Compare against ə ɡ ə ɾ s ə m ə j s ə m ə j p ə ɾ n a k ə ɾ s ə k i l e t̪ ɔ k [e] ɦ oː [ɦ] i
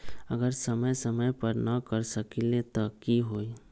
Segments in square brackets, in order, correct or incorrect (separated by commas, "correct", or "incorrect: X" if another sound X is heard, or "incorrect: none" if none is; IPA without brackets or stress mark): incorrect: i, incorrect: none